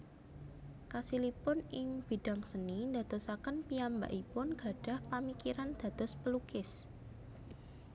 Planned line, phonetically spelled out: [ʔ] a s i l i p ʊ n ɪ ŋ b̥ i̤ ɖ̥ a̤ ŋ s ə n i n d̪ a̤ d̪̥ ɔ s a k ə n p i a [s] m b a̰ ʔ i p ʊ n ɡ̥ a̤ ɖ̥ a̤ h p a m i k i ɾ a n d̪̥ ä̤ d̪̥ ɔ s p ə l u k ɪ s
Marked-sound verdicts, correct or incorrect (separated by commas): incorrect, incorrect